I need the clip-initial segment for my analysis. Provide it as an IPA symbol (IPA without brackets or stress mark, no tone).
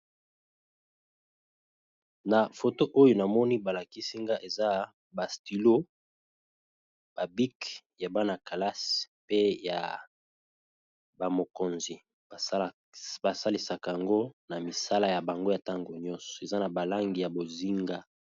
n